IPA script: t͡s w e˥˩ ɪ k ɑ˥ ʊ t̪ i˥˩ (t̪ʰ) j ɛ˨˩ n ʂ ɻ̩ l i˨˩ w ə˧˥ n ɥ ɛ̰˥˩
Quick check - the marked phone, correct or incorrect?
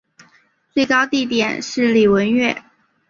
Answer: incorrect